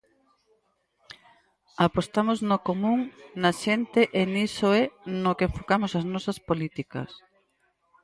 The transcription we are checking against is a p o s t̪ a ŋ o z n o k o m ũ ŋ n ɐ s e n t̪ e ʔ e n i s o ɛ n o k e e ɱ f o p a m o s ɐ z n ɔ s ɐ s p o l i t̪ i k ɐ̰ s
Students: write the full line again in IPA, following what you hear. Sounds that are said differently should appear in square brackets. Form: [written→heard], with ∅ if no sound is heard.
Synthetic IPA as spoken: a p o s t̪ a [ŋ→m] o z n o k o m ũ ŋ n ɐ [s→ʃ] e n t̪ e ʔ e n i s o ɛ n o k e e ɱ f o [p→k] a m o s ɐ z n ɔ s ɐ s p o l i t̪ i k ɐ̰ s